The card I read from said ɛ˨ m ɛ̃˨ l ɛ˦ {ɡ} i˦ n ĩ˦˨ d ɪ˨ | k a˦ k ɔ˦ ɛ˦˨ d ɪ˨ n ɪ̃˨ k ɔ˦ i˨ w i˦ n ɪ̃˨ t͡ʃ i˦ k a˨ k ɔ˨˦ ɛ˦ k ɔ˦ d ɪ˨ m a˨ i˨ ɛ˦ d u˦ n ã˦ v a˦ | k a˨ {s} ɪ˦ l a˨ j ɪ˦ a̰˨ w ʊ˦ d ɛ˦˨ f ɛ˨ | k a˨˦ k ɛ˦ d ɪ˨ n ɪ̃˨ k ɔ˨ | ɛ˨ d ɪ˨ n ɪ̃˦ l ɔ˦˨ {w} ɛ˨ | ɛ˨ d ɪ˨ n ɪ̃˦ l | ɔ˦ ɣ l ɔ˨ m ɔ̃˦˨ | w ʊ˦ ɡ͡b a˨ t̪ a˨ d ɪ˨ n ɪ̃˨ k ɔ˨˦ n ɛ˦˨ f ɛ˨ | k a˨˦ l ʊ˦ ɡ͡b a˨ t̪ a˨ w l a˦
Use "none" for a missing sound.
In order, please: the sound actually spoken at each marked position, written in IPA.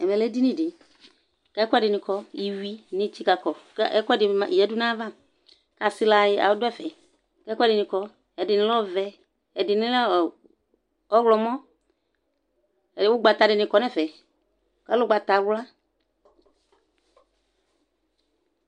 d, s, v

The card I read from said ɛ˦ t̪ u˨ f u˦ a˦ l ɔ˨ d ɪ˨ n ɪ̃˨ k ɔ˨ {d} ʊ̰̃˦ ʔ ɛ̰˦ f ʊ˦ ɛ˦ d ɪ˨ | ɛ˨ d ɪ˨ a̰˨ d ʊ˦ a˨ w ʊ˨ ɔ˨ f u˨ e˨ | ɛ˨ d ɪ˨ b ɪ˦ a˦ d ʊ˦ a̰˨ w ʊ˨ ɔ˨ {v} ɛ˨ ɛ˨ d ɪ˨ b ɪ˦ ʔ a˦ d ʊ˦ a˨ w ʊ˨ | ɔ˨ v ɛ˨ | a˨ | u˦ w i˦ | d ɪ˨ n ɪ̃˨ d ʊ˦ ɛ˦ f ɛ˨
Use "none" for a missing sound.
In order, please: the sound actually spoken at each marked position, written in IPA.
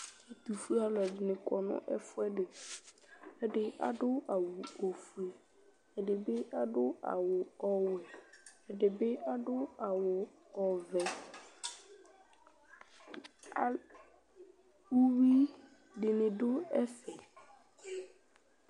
n, w

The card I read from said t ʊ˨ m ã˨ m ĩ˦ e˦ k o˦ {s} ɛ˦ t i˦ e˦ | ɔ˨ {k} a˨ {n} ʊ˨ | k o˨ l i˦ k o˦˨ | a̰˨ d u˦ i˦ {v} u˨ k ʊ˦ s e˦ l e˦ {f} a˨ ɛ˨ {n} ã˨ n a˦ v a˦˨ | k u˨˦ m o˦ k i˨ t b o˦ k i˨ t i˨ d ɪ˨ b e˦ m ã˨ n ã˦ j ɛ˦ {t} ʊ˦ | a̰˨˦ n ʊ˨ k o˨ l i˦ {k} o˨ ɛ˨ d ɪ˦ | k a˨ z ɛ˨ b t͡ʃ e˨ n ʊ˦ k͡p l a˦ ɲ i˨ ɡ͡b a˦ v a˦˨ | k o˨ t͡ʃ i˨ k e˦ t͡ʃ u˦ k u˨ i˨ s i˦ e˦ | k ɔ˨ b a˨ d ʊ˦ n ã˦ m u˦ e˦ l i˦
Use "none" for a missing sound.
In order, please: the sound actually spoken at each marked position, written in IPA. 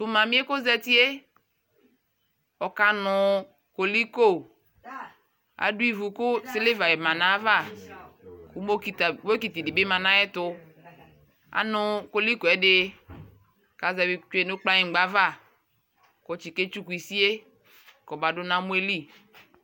z, k, n, v, v, m, t, k

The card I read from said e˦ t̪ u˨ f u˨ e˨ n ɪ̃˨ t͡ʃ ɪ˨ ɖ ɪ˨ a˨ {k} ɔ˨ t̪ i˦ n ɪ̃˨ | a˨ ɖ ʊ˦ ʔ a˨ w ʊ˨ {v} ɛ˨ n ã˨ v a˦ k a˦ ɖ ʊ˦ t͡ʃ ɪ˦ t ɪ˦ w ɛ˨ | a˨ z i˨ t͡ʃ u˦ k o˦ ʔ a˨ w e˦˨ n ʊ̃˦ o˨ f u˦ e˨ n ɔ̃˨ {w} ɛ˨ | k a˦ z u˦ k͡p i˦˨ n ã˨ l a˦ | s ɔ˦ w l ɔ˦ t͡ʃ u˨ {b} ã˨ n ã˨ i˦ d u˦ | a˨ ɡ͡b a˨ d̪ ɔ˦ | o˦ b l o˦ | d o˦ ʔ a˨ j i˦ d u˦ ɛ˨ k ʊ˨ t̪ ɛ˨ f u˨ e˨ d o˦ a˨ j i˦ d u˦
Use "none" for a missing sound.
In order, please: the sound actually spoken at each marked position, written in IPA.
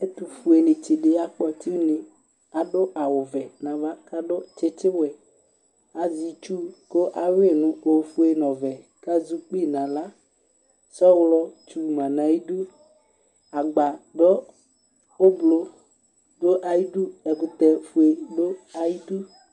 k͡p, v, v, m

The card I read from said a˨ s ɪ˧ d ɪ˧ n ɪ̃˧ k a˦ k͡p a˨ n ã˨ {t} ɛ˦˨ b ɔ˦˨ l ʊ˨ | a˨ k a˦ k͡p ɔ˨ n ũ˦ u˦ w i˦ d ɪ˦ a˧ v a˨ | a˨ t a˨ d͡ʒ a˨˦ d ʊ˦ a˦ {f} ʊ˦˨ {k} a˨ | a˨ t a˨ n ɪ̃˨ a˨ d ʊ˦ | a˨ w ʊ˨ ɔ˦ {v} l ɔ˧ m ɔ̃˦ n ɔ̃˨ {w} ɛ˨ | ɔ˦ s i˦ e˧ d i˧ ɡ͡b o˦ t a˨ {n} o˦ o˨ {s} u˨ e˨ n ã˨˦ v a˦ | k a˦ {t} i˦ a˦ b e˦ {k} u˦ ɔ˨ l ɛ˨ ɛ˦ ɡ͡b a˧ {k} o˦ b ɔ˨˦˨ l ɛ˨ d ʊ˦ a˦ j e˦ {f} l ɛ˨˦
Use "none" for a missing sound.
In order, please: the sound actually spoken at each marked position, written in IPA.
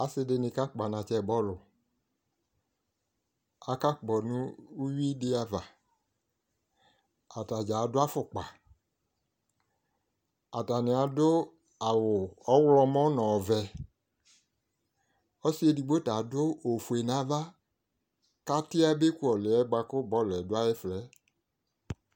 t͡ʃ, f, k͡p, w, v, d, f, t, k, k, f

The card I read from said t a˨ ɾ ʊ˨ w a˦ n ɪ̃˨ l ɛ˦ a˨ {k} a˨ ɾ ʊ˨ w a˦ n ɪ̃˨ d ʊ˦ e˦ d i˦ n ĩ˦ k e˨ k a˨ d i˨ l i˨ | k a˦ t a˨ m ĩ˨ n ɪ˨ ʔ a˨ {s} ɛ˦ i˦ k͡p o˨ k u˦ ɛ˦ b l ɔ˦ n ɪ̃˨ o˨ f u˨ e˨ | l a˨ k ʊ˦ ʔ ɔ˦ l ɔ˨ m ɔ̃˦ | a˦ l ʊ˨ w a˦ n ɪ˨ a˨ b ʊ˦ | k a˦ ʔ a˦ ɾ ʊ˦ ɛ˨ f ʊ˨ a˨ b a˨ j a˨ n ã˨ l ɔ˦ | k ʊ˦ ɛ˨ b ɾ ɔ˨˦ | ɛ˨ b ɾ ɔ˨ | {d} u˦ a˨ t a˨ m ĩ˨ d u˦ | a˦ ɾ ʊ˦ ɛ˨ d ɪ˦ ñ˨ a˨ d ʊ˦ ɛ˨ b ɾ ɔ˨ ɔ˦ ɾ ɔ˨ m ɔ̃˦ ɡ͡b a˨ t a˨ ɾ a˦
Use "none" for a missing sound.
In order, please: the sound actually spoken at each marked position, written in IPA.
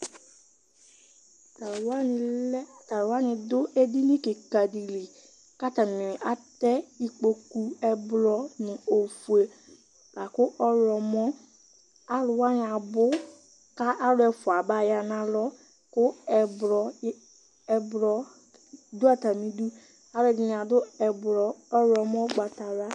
t, t, d

